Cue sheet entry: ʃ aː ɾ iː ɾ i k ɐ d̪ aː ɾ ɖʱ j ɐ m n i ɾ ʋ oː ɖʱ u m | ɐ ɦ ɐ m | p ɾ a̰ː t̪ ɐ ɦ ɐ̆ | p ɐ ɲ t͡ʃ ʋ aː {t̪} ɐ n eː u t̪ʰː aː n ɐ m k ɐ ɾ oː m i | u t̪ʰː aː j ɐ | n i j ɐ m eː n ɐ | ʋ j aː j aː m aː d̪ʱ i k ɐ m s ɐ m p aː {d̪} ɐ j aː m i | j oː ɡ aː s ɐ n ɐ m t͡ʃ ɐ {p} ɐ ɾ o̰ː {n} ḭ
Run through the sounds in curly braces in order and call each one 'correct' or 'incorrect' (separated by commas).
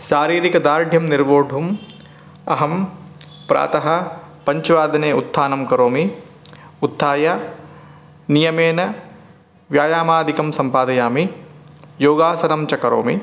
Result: incorrect, correct, incorrect, incorrect